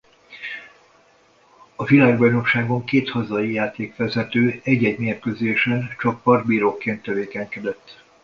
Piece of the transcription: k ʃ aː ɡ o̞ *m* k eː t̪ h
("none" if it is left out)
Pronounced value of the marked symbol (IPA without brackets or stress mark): ŋ